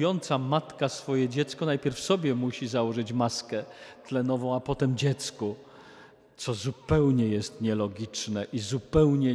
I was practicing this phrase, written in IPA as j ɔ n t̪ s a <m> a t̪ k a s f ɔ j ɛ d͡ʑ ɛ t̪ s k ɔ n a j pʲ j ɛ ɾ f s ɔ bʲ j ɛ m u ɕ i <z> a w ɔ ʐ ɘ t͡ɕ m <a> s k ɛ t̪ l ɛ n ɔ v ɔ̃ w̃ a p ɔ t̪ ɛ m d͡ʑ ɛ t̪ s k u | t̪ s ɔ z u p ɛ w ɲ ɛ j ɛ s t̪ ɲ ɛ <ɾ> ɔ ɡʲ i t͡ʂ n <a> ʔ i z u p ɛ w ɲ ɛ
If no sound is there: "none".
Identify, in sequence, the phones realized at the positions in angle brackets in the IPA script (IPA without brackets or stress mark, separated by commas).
m, z, a, l, ɛ